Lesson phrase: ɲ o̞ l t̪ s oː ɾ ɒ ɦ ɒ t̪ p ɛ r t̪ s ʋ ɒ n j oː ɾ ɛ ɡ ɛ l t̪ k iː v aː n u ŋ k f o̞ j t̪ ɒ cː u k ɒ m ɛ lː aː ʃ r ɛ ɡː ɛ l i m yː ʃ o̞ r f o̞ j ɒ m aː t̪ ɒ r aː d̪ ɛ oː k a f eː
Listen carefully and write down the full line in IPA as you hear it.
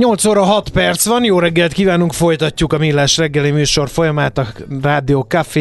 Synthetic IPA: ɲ o̞ l t̪ s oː ɾ ɒ ɦ ɒ t̪ p ɛ r t̪ s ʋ ɒ n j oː ɾ ɛ ɡː ɛ l t̪ k iː v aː n u ŋ k f o̞ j t̪ ɒ cː u k ɒ m i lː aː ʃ r ɛ ɡː ɛ l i m yː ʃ o̞ r f o̞ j ɒ m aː t̪ ɒ r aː d̪ i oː k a f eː